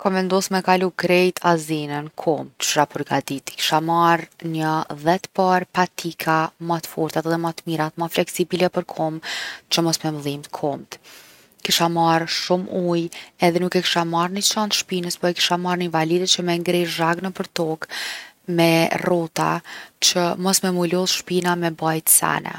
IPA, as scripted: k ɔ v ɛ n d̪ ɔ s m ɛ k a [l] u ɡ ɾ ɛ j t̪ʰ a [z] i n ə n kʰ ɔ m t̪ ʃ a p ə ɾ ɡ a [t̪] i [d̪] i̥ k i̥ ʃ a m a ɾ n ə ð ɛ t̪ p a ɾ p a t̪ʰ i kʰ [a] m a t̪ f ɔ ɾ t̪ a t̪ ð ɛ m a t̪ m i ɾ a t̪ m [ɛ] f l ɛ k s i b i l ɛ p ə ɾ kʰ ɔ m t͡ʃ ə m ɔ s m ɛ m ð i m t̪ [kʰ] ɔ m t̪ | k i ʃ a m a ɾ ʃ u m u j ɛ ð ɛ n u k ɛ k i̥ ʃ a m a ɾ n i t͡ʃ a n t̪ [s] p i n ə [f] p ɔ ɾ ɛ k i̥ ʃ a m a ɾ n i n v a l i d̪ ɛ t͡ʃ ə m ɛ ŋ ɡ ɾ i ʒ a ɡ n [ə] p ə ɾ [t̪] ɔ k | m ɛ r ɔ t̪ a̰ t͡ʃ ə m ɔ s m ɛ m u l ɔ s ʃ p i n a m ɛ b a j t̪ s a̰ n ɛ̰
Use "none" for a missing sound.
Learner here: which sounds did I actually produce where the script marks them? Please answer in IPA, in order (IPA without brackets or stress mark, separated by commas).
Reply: l, z, d̪, t̪, a, a, kʰ, ʃ, s, ə, t̪